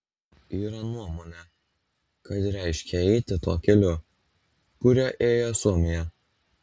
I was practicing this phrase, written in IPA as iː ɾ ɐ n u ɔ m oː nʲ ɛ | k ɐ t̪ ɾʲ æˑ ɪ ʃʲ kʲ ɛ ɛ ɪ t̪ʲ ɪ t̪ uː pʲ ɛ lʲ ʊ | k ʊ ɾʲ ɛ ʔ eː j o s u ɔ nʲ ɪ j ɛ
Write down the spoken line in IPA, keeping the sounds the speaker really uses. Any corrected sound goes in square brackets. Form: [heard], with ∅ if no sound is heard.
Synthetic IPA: iː ɾ ɐ n u ɔ m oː nʲ ɛ | k ɐ t̪ ɾʲ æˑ ɪ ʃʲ kʲ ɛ ɛ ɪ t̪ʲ ɪ t̪ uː [kʲ] ɛ lʲ ʊ | k ʊ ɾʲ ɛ ʔ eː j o s u ɔ [mʲ] ɪ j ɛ

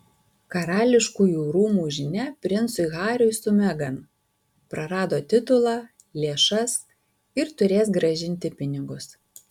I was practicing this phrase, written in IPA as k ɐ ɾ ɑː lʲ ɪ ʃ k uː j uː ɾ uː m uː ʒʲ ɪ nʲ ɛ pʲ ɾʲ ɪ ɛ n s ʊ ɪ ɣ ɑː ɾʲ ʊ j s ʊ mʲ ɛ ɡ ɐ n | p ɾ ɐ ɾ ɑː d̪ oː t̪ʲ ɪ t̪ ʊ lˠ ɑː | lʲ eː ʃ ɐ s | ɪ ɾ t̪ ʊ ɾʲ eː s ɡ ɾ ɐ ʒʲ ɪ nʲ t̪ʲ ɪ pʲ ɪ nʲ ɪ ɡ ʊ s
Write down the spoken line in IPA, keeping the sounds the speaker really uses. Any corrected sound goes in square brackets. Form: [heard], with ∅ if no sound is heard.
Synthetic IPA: k ɐ ɾ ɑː lʲ ɪ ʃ k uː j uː ɾ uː m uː ʒʲ ɪ nʲ ɛ pʲ ɾʲ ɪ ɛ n s ʊ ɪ ɣ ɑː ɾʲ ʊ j s ʊ mʲ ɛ ɡ ɐ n | p ɾ ɐ ɾ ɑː d̪ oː t̪ʲ ɪ t̪ ʊ lˠ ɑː | lʲ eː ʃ ɐ s | ɪ ɾ t̪ ʊ ɾʲ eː s ɡ ɾ ɐ ʒʲ ɪ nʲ t̪ʲ ɪ pʲ ɪ nʲ ɪ ɡ ʊ s

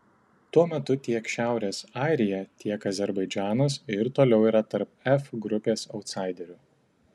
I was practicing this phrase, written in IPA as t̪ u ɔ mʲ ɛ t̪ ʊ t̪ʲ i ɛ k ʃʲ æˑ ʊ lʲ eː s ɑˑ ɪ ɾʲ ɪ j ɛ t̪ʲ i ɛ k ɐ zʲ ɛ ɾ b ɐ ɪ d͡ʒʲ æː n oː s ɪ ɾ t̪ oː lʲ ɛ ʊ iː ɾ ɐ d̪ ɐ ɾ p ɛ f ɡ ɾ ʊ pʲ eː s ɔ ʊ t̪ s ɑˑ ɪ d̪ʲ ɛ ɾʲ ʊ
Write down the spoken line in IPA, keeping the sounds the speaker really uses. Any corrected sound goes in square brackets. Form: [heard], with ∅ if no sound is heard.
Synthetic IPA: t̪ u ɔ mʲ ɛ t̪ ʊ t̪ʲ i ɛ k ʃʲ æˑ ʊ [ɾʲ] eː s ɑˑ ɪ ɾʲ ɪ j ɛ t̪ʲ i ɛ k ɐ zʲ ɛ ɾ b ɐ ɪ d͡ʒʲ æː n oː s ɪ ɾ t̪ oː lʲ ɛ ʊ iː ɾ ɐ [t̪] ɐ ɾ p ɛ f ɡ ɾ ʊ pʲ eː s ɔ ʊ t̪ s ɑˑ ɪ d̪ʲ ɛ ɾʲ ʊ

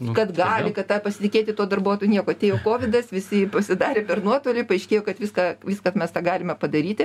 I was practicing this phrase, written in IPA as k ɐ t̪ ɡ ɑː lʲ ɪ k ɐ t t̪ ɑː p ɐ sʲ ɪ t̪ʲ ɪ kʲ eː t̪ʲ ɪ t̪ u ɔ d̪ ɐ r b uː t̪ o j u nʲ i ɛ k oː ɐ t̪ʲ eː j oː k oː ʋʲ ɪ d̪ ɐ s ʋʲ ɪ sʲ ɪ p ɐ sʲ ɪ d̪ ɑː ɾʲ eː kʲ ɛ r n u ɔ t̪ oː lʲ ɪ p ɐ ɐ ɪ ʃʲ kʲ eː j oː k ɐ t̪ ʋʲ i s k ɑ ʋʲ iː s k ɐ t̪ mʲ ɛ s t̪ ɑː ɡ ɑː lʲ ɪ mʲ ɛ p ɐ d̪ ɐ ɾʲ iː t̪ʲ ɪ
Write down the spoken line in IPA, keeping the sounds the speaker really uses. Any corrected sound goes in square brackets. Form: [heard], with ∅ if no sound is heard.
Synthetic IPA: k ɐ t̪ ɡ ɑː lʲ ɪ k ɐ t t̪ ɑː p ɐ sʲ ɪ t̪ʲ ɪ kʲ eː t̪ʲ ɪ t̪ u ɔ d̪ ɐ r b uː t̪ o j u nʲ i ɛ k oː ɐ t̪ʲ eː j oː k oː ʋʲ ɪ d̪ ɐ s ʋʲ ɪ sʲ ɪ p ɐ sʲ ɪ d̪ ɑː ɾʲ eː [pʲ] ɛ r n u ɔ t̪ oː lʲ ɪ p ɐ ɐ ɪ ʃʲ kʲ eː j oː k ɐ t̪ ʋʲ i s k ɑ ʋʲ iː s k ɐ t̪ mʲ ɛ s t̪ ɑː ɡ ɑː lʲ ɪ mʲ ɛ p ɐ d̪ ɐ ɾʲ iː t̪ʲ ɪ

